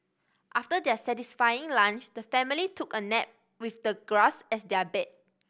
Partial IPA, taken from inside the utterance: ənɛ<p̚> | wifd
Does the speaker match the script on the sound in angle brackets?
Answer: yes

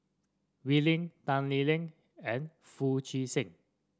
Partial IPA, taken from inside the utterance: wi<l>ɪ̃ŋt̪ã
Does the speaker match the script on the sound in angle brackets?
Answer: yes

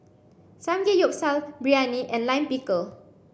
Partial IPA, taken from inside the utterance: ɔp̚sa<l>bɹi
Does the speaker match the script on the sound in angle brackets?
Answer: yes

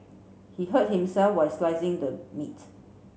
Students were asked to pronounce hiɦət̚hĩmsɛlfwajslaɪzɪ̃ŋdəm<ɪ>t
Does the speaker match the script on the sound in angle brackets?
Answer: no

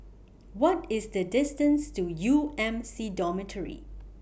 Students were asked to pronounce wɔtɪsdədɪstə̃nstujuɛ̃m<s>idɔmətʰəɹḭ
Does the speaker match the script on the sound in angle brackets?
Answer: yes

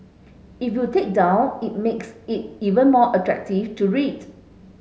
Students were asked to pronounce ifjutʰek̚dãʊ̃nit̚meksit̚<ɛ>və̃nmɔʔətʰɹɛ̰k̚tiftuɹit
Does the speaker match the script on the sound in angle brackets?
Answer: no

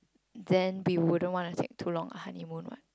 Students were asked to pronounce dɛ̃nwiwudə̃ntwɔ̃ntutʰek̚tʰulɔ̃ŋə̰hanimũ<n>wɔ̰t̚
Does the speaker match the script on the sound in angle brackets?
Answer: yes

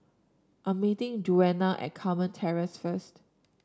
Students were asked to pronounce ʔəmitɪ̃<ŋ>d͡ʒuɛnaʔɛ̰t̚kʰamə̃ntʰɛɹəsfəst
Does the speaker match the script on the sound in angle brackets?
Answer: yes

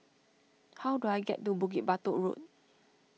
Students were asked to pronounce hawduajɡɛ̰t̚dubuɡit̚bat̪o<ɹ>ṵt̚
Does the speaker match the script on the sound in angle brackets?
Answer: yes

